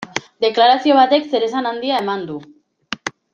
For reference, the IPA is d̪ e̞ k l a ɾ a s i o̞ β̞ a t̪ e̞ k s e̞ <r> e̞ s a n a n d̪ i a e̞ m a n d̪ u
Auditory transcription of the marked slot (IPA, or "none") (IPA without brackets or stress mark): ɾ